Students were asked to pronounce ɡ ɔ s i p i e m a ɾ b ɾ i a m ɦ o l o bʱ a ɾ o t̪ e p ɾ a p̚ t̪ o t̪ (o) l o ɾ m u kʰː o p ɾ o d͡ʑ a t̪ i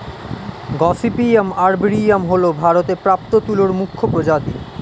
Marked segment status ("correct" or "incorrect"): incorrect